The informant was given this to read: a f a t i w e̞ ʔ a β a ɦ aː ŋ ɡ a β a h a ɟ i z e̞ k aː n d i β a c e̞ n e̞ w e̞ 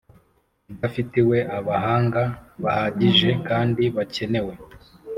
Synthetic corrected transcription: a f i t i w e̞ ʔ a β a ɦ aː ŋ ɡ a β a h a ɟ i ʒ e̞ k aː n d i β a c e̞ n e̞ w e̞